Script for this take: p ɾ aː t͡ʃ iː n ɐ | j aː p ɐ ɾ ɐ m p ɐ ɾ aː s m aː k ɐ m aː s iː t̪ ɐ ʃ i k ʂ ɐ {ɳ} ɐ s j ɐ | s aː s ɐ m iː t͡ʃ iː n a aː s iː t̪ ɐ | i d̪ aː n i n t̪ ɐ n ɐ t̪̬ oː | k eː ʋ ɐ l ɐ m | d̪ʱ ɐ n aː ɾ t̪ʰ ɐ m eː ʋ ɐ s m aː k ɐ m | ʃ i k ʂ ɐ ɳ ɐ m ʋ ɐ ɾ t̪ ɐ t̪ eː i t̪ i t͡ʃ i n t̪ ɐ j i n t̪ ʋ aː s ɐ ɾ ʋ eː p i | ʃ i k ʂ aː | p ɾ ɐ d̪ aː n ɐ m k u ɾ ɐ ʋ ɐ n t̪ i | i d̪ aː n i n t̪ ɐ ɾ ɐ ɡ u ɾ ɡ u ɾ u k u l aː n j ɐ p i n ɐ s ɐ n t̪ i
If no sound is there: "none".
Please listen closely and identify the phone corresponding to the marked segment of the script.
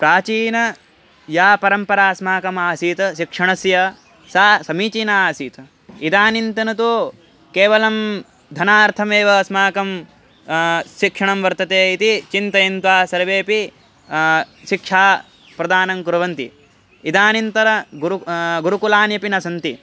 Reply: ɳ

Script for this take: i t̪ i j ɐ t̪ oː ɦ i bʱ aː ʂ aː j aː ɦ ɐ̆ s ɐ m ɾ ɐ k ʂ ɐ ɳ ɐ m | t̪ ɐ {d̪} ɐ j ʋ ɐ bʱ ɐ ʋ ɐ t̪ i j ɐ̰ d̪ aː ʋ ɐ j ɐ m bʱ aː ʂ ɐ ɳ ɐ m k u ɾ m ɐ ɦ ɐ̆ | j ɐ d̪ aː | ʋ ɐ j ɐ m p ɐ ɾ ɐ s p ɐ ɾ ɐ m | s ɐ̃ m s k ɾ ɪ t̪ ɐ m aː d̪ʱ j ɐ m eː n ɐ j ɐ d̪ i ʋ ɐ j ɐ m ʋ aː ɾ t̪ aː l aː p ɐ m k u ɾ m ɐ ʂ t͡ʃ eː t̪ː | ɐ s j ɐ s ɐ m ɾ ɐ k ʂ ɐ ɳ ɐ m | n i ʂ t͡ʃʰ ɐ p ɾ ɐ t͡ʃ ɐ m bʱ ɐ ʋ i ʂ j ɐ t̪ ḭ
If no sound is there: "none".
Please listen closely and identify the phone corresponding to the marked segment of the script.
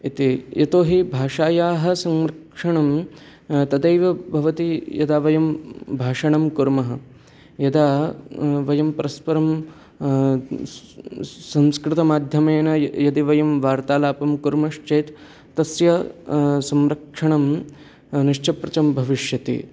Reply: d̪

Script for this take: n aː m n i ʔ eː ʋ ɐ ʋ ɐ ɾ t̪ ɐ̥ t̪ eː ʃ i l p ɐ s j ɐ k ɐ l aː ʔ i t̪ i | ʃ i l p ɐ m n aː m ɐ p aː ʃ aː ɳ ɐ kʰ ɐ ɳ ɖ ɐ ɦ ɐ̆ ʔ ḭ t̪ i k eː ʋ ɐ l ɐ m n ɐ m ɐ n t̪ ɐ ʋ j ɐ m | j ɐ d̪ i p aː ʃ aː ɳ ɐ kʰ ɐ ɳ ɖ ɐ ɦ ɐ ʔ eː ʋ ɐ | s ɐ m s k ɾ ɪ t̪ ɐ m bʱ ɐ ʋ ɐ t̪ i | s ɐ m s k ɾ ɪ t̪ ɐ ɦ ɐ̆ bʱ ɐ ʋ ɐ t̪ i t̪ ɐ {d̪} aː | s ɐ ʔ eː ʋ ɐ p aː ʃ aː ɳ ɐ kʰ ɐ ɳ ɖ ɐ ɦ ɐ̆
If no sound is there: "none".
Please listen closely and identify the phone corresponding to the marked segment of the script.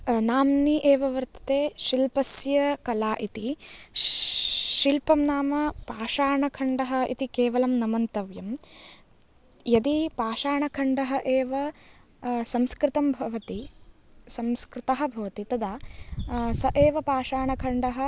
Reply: d̪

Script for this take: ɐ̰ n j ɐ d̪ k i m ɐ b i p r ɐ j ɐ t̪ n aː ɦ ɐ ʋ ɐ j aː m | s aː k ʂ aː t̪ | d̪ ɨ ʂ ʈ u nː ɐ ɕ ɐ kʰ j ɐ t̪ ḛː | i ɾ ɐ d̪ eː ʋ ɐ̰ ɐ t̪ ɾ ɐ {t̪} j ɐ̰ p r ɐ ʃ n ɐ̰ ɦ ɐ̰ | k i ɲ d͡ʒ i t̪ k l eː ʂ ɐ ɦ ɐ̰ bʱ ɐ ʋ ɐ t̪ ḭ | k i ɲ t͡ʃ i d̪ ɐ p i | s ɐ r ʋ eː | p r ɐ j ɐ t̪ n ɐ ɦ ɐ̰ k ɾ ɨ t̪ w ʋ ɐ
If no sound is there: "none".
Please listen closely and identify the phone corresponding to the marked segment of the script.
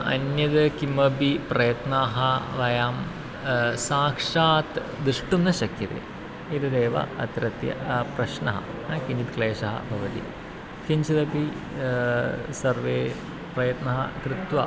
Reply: t̪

